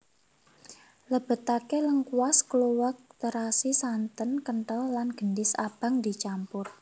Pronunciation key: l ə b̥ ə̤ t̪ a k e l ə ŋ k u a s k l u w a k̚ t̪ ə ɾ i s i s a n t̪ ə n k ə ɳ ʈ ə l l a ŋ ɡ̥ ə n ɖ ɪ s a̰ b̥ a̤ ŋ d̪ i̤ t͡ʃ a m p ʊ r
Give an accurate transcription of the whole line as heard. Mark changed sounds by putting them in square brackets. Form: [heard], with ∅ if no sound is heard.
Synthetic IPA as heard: l ə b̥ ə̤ t̪ a k e l ə ŋ k u a s k l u w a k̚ t̪ ə ɾ [a] s i s a n t̪ ə n k ə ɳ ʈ ə l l a [n] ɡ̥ ə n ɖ ɪ s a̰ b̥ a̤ ŋ d̪ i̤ t͡ʃ a m p ʊ r